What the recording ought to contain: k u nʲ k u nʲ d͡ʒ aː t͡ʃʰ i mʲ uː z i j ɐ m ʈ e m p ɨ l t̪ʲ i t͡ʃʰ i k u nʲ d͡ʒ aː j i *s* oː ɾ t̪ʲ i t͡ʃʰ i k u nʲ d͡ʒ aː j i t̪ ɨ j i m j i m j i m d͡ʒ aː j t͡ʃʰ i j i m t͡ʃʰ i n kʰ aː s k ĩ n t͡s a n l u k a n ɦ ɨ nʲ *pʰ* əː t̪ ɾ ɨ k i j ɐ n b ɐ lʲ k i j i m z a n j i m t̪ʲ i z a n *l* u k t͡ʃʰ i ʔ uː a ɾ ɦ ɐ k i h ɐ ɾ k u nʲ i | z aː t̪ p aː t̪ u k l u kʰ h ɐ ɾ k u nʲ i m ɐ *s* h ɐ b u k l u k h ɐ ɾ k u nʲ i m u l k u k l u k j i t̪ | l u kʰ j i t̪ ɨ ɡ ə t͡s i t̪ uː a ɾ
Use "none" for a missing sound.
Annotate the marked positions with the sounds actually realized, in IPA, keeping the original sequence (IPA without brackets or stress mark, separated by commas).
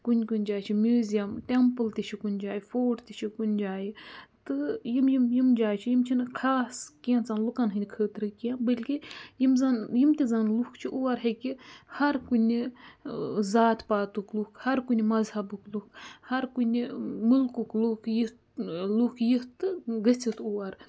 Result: f, kʰ, l, z